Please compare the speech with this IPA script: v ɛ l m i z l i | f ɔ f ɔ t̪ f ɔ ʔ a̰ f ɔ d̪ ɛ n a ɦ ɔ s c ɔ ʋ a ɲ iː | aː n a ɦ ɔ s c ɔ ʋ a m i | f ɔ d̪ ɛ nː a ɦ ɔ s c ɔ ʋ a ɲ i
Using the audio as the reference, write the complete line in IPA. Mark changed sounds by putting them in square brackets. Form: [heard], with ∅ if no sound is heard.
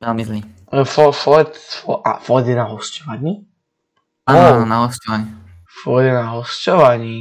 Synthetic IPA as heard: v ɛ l m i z l i | f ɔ f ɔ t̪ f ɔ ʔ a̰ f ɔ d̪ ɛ n a ɦ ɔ s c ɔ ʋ a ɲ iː | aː n a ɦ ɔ s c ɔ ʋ a [ɲ] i | f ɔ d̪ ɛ [n] a ɦ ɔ s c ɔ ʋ a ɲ i